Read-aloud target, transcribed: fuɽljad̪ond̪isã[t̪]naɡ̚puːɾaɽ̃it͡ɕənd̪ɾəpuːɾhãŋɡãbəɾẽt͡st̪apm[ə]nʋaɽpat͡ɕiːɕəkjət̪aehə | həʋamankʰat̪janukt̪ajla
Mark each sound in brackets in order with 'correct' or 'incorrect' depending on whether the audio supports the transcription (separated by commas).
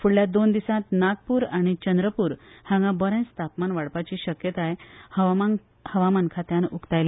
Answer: correct, incorrect